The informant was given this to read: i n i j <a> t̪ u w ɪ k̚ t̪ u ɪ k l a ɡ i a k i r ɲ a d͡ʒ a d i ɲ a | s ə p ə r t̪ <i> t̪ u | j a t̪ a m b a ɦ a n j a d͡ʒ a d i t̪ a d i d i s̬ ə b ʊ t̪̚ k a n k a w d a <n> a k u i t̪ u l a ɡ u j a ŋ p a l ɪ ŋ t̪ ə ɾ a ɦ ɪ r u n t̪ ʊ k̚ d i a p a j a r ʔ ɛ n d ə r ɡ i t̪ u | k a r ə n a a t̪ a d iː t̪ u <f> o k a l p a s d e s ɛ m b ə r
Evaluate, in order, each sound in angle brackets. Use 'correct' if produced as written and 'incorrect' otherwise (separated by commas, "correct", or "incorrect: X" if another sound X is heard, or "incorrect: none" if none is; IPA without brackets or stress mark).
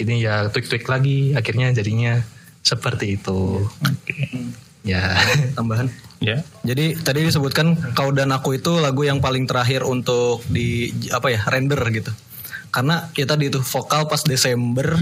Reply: correct, incorrect: iː, correct, correct